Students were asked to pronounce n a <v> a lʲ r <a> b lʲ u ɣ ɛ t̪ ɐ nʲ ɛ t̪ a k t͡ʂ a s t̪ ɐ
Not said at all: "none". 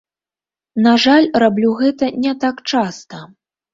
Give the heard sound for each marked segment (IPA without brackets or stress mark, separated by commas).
ʐ, a